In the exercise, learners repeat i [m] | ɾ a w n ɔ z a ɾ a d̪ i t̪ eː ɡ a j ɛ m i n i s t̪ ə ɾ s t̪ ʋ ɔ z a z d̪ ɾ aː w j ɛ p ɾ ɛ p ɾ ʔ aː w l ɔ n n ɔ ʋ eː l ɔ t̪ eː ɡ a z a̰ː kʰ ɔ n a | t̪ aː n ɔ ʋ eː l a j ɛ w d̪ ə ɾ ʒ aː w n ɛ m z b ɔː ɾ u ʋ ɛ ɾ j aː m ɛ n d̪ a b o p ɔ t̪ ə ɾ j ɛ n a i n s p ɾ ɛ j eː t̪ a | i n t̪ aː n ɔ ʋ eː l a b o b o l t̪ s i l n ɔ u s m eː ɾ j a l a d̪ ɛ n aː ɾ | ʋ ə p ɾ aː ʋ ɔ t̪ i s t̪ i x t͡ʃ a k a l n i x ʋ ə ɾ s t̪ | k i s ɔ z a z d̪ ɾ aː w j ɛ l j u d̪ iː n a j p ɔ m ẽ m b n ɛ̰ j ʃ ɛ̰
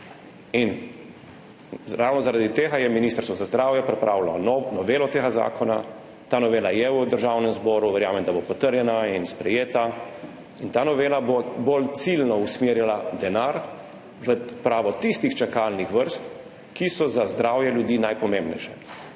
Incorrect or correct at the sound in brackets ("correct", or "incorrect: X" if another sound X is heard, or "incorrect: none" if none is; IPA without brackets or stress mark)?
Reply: incorrect: n